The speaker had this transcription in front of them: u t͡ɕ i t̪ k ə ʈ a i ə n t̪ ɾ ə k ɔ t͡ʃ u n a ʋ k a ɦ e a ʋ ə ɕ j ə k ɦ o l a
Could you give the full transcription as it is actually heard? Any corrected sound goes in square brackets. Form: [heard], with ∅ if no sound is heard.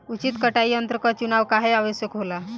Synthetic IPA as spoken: u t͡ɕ i t̪ k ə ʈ a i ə n t̪ ɾ ə k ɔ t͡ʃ u n a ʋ k a ɦ e a ʋ ə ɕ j ə k ɦ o l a